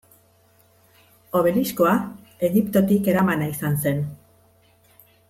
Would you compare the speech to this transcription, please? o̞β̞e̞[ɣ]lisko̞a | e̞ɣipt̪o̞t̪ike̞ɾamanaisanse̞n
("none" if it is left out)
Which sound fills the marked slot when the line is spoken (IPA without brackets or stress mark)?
none